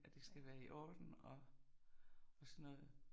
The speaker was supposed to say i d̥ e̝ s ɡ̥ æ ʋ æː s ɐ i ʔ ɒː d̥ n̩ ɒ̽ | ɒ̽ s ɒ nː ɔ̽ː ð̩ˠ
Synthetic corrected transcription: æ d̥ e̝ s ɡ̥ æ ʋ æː ɐ i ʔ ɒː d̥ n̩ ɒ̽ | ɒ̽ s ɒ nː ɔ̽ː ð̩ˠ